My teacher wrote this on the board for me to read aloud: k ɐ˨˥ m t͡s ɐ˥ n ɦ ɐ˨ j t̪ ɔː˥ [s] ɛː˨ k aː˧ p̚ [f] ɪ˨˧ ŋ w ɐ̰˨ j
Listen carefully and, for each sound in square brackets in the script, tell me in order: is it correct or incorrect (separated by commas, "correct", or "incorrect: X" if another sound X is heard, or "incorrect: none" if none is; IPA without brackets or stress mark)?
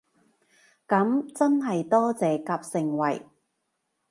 incorrect: t͡s, incorrect: s